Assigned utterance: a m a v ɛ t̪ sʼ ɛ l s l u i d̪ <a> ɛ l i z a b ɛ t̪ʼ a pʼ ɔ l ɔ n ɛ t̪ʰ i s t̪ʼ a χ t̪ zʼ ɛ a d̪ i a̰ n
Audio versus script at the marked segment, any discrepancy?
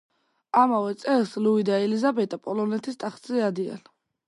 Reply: no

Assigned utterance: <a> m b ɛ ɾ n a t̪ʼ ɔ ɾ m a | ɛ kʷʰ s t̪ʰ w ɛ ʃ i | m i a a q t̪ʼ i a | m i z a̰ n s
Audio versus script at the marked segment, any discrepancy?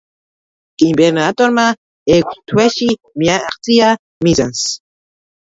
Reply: yes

